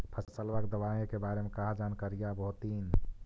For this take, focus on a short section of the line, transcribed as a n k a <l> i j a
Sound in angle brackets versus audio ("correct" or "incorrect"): incorrect